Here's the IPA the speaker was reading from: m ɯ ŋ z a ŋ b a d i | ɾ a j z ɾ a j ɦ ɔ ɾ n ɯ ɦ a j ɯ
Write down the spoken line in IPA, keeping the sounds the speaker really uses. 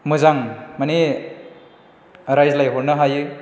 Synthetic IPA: m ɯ z a ŋ m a n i | ɾ a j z l a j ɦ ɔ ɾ n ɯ ɦ a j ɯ